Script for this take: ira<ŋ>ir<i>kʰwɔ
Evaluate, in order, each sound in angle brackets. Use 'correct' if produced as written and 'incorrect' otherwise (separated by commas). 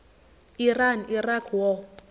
incorrect, incorrect